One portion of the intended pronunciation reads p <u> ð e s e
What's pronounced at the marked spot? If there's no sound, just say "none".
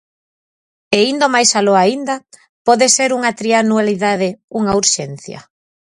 ɔ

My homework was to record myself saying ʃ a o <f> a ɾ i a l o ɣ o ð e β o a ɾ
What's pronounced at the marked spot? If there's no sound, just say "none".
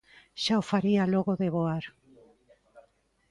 f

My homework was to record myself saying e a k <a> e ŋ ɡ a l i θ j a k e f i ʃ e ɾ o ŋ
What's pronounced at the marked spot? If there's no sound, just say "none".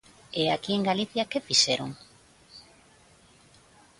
i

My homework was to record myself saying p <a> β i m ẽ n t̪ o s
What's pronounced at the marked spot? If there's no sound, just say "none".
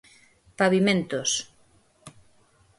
a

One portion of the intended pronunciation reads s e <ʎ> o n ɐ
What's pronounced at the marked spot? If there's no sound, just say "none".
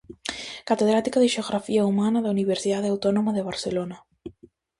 l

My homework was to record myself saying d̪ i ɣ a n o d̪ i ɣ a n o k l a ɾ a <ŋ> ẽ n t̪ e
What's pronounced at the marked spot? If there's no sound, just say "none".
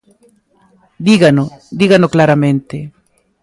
m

